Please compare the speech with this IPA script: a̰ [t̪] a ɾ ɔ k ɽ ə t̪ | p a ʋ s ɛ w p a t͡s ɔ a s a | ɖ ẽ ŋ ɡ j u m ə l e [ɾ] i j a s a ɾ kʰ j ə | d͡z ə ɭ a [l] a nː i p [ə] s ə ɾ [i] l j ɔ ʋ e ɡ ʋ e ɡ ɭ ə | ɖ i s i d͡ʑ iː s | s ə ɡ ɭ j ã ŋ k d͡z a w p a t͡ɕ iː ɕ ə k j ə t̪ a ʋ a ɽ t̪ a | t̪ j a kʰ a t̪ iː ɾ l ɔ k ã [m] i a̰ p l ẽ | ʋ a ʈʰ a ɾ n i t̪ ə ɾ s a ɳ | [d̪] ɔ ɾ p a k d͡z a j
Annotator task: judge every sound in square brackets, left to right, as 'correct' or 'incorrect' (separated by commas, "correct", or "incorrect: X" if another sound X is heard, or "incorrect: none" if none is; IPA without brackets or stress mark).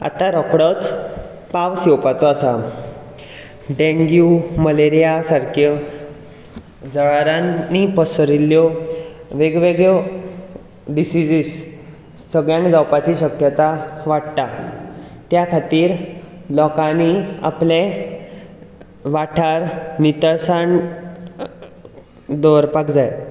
correct, correct, incorrect: ɾ, correct, correct, incorrect: n, correct